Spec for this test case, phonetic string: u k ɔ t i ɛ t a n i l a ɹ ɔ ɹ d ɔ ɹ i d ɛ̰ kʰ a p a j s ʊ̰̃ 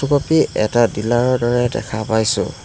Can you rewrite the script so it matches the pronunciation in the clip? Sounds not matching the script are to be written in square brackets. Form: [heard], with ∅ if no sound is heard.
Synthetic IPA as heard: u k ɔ [p] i ɛ t a [d] i l a ɹ ɔ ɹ d ɔ ɹ [ɛ] d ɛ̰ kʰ a p a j s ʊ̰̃